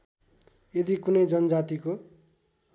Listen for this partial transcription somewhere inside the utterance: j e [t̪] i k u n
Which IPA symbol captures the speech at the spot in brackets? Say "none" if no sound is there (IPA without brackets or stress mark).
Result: d̪